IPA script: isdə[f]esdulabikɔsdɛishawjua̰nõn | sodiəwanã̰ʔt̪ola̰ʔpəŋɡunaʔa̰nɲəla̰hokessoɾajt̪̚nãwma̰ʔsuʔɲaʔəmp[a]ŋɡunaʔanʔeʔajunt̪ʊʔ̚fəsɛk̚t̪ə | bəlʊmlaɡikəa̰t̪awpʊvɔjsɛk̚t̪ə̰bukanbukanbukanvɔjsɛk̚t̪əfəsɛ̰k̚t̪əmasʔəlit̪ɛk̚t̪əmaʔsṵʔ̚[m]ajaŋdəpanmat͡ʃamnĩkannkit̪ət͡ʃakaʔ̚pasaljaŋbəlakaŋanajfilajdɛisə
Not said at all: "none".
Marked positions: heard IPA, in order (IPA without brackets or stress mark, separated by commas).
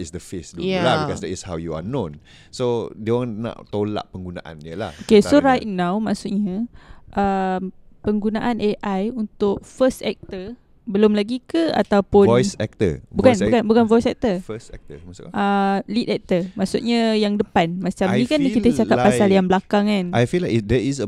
f, ə, ɲ